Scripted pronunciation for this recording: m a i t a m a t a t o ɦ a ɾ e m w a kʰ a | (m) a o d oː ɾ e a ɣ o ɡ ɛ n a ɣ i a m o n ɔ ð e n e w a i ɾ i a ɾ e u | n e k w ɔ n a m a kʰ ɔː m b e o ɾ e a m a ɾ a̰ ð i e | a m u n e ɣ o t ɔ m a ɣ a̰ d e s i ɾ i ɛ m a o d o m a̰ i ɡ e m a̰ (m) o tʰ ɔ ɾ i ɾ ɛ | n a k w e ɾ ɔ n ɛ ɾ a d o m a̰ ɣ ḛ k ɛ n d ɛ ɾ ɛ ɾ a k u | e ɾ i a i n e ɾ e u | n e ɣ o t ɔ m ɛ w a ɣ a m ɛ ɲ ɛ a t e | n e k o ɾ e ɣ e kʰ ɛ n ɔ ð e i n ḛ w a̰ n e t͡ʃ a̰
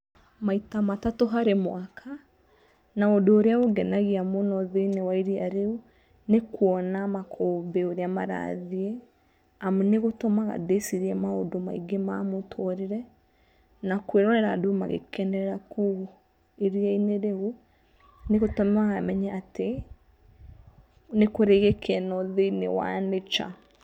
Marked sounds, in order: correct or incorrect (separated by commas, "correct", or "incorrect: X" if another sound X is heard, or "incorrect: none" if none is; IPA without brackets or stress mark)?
incorrect: n, correct